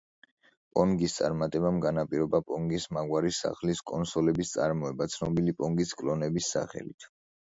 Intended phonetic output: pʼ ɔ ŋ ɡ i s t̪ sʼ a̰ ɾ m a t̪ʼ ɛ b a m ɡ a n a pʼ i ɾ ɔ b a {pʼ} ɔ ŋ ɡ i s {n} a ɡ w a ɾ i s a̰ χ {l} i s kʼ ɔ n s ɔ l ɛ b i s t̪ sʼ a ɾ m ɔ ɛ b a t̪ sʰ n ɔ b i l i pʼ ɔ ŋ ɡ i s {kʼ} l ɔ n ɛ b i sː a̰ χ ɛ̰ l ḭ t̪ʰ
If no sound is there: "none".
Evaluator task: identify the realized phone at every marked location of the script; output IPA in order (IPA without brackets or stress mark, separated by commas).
pʼ, m, l, kʼ